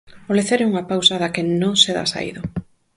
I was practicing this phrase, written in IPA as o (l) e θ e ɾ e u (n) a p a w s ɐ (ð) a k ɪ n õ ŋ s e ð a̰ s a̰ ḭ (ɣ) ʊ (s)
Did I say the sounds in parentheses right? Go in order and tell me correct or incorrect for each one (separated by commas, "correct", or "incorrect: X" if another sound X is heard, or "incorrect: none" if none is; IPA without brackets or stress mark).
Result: correct, incorrect: ŋ, correct, incorrect: ð, incorrect: none